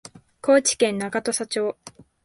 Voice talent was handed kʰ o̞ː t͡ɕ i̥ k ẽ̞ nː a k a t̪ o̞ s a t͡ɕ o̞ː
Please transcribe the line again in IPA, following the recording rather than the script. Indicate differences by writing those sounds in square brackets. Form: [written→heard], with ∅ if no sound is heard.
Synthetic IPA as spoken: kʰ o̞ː t͡ɕ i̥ k ẽ̞ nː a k a t̪ o̞ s a t͡ɕ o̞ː